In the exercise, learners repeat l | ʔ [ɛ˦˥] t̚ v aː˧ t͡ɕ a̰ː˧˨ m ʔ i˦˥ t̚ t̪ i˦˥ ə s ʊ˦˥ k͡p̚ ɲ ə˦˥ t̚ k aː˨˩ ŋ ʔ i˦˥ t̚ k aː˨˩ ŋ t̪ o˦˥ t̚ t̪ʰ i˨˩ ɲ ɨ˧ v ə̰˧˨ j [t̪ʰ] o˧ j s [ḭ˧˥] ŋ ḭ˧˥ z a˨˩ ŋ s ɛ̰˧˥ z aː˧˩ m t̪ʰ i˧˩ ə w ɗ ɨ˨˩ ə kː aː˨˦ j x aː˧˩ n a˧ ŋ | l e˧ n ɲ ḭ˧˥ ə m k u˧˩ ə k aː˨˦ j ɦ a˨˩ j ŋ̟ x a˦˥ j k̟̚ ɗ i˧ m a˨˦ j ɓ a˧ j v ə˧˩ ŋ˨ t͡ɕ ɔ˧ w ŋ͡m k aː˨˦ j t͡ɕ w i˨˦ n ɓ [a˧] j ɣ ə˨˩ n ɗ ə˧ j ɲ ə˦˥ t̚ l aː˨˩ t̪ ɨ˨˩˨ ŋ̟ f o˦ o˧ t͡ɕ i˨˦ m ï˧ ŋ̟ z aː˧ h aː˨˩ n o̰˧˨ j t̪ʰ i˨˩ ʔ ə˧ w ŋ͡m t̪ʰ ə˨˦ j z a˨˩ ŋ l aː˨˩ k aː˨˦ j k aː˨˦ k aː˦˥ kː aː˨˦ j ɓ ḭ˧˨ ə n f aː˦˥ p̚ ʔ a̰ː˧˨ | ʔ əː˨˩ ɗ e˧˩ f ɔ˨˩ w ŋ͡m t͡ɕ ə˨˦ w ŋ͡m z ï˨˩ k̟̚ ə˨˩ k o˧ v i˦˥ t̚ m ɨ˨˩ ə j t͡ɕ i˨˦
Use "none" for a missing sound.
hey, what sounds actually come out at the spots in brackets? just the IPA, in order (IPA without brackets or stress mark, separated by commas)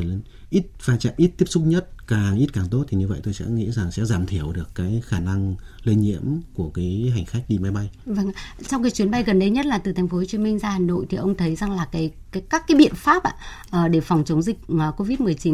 i˦˥, t̪, ɛ̰˧˥, a˧